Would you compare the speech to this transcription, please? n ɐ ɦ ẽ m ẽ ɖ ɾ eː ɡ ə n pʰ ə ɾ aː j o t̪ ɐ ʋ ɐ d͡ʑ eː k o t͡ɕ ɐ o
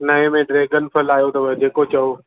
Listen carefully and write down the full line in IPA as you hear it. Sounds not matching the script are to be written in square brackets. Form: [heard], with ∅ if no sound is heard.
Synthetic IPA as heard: n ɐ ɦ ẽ m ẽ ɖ ɾ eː ɡ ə n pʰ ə [l] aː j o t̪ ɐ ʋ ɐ d͡ʑ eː k o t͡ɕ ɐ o

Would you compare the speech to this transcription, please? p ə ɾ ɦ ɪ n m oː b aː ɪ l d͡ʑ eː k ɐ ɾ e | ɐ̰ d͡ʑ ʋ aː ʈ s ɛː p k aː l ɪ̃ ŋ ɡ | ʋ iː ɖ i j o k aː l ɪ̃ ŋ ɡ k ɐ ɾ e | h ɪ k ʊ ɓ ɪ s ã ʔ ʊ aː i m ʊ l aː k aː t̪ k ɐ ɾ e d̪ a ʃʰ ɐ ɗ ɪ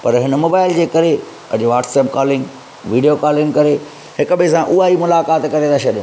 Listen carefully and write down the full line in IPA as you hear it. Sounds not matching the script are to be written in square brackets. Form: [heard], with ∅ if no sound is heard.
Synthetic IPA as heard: p [ɐ] ɾ ɦ ɪ n m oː b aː ɪ l d͡ʑ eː k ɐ ɾ e | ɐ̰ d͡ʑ ʋ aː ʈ s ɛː p k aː l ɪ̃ ŋ ɡ | ʋ iː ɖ i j o k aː l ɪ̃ ŋ ɡ k ɐ ɾ e | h ɪ k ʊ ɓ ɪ s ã ʔ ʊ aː i m ʊ l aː k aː t̪ k ɐ ɾ e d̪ a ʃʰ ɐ ɗ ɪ

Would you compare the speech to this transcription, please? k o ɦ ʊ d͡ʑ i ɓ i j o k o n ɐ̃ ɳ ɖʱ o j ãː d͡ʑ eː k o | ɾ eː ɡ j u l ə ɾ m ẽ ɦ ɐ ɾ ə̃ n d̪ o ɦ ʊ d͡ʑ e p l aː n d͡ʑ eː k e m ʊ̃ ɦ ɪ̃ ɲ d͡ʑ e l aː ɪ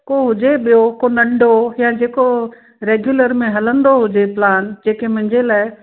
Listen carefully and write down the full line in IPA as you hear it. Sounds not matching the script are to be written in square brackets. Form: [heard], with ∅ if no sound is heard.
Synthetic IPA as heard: k o ɦ ʊ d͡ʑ [e] ɓ i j o k o n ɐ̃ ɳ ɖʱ o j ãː d͡ʑ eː k o | ɾ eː ɡ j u l ə ɾ m ẽ ɦ ɐ [l] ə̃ n d̪ o ɦ ʊ d͡ʑ e p l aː n d͡ʑ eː k e m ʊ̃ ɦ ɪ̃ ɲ d͡ʑ e l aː ɪ

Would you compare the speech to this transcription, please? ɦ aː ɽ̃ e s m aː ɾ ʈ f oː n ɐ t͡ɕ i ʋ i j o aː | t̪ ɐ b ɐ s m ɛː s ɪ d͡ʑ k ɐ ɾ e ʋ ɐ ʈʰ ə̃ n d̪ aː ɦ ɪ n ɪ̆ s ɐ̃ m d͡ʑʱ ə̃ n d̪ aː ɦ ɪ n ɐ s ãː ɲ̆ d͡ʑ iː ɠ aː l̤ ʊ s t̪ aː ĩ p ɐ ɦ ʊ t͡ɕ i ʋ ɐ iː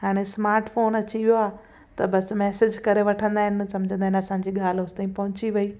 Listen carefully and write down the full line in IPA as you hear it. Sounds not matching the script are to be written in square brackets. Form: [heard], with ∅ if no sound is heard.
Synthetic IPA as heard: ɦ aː ɽ̃ e s m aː ɾ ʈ f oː n ɐ t͡ɕ i ʋ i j o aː | t̪ ɐ b ɐ s m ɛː s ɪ d͡ʑ k ɐ ɾ e ʋ ɐ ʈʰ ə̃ n d̪ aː ɦ ɪ n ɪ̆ s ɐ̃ m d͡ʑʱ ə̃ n d̪ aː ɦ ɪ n ɐ s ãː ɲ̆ d͡ʑ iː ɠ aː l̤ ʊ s t̪ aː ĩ p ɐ ɦ ʊ t͡ɕ i ʋ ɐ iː

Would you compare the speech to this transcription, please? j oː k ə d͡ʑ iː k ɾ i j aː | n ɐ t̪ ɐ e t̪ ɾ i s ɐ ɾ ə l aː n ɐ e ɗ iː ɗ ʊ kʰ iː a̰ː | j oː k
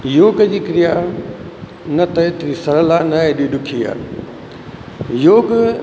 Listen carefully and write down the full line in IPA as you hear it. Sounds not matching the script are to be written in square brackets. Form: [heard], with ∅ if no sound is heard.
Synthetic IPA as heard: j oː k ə d͡ʑ iː k ɾ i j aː | n ɐ t̪ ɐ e t̪ ɾ i s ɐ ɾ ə l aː n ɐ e ɗ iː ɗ ʊ kʰ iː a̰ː | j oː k

